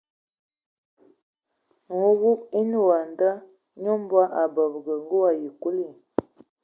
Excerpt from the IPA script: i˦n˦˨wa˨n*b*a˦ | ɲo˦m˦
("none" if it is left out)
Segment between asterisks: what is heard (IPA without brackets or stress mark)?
d